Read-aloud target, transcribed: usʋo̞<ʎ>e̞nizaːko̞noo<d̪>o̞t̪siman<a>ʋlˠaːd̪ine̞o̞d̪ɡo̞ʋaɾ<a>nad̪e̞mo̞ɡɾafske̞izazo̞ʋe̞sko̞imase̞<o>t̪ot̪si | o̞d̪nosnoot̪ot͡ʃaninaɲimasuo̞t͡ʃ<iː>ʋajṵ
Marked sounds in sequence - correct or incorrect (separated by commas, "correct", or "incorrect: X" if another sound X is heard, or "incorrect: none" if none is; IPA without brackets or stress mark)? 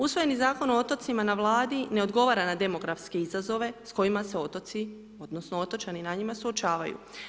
incorrect: j, incorrect: t̪, correct, correct, correct, incorrect: aː